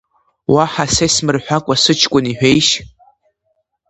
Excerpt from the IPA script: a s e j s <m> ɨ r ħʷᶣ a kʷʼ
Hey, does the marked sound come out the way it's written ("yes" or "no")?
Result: yes